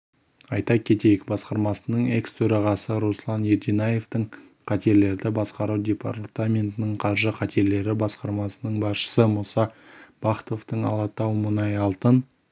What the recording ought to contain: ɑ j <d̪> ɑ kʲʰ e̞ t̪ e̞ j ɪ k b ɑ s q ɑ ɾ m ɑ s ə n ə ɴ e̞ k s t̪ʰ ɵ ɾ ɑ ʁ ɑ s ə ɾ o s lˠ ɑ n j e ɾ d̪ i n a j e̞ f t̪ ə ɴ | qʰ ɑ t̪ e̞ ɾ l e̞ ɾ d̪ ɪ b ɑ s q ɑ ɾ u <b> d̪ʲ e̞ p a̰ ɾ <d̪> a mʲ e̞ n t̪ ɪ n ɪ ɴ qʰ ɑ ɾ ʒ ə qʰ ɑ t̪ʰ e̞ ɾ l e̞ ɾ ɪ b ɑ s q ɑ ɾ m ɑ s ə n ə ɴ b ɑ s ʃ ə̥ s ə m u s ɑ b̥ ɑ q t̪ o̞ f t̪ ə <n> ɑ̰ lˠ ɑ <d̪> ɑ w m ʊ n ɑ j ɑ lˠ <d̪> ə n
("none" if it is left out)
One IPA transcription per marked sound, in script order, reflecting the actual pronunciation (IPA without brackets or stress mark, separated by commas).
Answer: t̪, w, t̪, ɴ, t̪, t̪